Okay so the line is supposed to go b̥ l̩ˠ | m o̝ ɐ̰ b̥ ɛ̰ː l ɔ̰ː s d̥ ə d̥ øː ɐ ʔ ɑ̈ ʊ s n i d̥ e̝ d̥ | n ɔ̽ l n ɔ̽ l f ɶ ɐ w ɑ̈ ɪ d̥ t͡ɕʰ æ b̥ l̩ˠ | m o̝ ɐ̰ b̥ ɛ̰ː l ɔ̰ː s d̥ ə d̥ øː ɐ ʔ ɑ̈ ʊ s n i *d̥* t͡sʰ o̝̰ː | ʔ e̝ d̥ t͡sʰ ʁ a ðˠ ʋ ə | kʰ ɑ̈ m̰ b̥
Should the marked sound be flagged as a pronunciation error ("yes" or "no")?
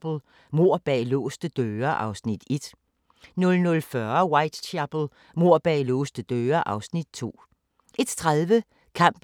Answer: no